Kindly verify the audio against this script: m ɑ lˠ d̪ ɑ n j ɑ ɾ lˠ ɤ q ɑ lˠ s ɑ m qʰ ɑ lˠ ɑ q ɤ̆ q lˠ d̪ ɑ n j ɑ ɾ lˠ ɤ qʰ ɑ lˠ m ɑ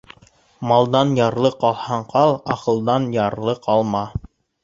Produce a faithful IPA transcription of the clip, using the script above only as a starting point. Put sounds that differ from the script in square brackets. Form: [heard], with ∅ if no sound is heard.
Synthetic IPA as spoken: m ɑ lˠ d̪ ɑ n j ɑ ɾ lˠ ɤ q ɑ lˠ [h] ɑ [ɴ] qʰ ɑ lˠ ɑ q ɤ̆ [∅] lˠ d̪ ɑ n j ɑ ɾ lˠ ɤ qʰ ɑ lˠ m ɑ